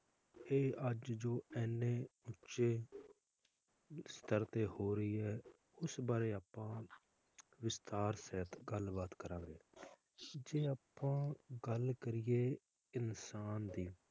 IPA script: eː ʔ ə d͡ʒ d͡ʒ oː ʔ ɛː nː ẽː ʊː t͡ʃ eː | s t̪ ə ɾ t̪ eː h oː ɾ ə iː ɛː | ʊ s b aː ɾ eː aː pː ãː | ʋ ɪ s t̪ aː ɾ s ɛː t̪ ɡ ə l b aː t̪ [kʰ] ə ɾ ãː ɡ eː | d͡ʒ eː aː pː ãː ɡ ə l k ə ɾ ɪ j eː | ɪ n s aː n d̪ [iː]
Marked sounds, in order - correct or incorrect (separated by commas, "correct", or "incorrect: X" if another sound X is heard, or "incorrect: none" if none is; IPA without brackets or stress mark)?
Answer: incorrect: k, correct